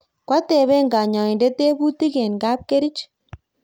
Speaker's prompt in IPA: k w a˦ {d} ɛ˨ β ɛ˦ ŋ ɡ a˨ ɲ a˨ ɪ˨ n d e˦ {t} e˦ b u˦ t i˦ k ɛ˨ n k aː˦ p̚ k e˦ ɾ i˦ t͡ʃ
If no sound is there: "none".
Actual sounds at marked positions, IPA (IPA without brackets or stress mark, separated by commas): t, t